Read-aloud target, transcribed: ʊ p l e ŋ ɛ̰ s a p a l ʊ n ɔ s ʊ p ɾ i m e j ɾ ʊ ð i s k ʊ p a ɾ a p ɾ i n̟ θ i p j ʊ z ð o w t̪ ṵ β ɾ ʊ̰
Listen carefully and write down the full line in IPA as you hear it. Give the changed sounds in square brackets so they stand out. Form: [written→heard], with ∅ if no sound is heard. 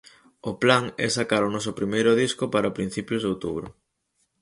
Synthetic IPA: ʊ p l [e→a] ŋ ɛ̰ s a [p→k] a [l→ɾ] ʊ n ɔ s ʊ p ɾ i m e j ɾ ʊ ð i s k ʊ p a ɾ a p ɾ i n̟ θ i p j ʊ z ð o w t̪ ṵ β ɾ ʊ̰